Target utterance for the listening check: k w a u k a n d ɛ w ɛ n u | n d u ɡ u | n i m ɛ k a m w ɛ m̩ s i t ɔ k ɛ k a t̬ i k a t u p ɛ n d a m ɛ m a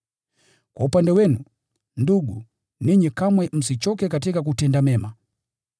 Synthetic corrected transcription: k w a u p a n d ɛ w ɛ n u | n d u ɡ u | n i ɲ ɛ k a m w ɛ m̩ s i t͡ʃ ɔ k ɛ k a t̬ i k a k u t ɛ n d a m ɛ m a